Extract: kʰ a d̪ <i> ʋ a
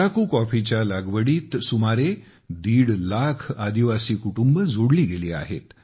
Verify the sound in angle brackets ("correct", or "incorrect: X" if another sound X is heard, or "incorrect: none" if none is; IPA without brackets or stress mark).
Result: correct